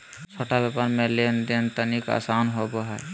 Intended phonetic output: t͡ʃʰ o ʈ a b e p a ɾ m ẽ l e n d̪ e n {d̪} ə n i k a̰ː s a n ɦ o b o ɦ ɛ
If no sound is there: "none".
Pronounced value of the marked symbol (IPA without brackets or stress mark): t̪